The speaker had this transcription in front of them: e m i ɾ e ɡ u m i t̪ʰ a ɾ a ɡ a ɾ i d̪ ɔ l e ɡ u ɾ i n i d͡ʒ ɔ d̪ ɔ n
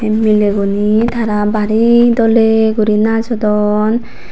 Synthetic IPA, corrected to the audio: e m i l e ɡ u n i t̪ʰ a ɾ a b a ɾ i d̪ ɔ l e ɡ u ɾ i n a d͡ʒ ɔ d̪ ɔ n